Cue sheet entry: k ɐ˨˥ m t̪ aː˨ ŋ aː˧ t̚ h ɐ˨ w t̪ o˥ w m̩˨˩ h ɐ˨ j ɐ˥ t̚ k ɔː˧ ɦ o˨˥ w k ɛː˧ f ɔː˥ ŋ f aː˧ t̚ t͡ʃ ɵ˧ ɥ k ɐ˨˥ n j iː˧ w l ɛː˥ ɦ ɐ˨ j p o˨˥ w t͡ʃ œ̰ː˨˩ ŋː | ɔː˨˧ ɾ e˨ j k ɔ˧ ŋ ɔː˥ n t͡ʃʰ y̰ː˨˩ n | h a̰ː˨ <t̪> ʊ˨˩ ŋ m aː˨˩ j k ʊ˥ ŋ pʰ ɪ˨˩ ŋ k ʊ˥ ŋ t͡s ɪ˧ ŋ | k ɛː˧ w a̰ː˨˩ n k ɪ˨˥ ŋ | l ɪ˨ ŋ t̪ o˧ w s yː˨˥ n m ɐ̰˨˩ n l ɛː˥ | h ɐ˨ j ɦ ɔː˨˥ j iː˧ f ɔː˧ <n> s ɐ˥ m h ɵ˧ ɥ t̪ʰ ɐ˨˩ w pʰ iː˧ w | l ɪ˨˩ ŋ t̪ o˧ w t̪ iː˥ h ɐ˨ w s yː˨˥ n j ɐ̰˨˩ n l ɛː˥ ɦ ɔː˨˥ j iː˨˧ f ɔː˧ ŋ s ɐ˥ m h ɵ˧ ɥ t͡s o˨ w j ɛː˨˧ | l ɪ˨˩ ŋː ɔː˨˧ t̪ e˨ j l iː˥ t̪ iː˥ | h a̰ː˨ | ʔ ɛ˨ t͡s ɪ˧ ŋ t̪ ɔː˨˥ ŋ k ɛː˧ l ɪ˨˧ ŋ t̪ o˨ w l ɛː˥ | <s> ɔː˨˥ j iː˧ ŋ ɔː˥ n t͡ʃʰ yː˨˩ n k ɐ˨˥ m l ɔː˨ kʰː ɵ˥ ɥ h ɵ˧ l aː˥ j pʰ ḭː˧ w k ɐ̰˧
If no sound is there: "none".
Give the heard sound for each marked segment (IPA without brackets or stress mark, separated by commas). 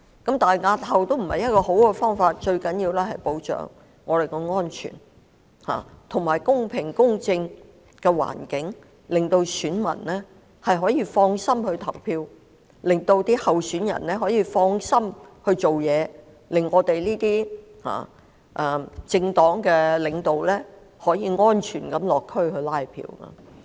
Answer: t̪ʰ, ŋ, h